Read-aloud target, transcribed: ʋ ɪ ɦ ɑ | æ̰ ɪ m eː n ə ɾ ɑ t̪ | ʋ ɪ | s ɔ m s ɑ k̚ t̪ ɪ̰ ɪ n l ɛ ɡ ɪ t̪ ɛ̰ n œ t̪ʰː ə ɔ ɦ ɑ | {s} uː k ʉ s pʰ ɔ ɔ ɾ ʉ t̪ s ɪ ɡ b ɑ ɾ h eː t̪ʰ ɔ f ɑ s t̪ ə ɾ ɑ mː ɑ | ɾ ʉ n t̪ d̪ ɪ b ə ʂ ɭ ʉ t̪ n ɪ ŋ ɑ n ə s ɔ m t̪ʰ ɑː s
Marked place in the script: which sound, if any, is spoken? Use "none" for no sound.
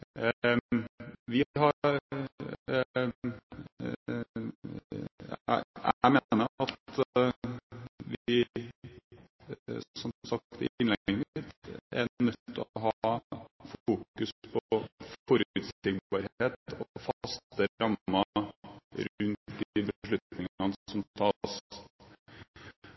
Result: f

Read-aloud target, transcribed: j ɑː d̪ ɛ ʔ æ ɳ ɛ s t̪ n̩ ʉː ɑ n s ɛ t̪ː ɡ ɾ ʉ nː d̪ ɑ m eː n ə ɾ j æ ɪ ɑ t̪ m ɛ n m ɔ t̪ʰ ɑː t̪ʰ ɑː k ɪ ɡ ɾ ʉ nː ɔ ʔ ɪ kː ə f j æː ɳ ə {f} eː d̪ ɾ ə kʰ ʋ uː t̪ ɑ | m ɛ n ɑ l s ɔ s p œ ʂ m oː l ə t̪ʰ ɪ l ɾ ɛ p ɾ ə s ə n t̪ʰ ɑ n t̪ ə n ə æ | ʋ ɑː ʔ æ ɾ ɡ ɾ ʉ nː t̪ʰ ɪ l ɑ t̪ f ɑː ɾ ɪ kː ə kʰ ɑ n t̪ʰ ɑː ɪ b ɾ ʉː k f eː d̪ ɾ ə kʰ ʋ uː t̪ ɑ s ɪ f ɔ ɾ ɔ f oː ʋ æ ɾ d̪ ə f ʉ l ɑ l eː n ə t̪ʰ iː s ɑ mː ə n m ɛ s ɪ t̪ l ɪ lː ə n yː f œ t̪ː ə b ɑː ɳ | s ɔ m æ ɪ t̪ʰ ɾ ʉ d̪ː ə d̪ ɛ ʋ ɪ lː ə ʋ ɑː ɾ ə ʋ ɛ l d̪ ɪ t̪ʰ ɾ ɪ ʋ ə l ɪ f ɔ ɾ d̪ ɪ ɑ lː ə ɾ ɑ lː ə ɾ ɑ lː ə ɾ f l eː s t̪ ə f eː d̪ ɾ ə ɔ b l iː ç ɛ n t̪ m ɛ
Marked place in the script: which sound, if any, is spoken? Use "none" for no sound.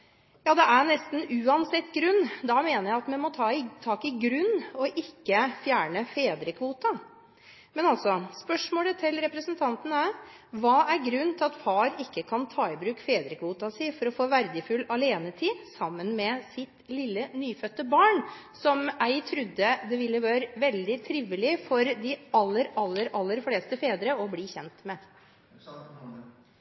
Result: f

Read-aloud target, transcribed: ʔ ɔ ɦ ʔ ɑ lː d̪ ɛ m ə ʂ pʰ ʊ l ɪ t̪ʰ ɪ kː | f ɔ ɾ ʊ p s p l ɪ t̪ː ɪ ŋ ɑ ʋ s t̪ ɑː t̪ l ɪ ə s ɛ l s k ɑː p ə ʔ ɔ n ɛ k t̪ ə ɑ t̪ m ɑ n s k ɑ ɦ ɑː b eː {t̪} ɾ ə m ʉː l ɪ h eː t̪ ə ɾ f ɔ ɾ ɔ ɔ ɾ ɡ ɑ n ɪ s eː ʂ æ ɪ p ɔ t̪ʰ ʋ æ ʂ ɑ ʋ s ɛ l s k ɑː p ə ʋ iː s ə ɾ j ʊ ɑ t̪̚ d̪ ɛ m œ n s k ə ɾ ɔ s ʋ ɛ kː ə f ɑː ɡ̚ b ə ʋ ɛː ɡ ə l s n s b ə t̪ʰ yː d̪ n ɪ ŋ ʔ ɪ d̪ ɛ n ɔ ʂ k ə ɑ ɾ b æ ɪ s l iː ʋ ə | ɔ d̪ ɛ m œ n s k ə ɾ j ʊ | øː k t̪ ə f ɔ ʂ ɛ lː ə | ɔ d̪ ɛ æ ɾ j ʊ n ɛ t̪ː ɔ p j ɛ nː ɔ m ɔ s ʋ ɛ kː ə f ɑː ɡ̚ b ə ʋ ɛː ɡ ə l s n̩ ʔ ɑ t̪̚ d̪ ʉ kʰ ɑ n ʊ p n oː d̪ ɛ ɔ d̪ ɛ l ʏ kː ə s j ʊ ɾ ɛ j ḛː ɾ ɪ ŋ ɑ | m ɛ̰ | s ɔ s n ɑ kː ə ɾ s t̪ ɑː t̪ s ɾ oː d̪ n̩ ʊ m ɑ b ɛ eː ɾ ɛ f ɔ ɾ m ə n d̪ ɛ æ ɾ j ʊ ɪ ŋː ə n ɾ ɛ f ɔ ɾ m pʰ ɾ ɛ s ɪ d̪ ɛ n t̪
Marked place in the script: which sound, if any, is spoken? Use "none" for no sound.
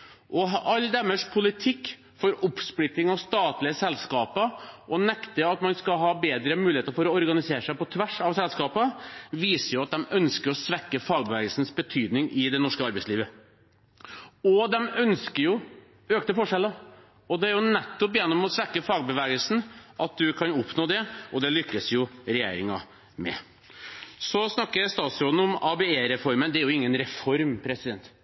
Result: d̪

